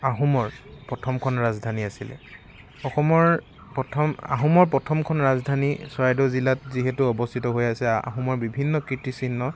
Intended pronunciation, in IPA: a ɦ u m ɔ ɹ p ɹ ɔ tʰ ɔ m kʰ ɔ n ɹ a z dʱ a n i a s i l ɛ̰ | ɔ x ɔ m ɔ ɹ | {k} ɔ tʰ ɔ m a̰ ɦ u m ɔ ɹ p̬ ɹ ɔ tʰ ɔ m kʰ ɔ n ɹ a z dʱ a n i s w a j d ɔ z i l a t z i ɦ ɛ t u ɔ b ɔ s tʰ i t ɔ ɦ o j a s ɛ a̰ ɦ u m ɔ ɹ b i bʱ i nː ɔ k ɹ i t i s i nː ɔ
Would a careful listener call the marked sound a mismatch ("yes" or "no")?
yes